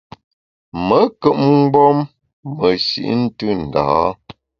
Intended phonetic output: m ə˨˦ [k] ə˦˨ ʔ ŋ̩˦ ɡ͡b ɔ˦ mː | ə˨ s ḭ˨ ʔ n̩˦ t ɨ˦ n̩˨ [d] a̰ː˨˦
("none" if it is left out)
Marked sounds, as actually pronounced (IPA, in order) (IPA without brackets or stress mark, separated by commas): k, d